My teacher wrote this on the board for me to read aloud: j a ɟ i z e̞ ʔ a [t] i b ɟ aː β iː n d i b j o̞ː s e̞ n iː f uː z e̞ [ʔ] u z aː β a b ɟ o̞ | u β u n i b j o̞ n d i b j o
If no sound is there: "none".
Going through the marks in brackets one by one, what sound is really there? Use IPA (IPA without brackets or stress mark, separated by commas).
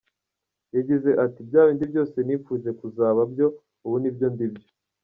t, k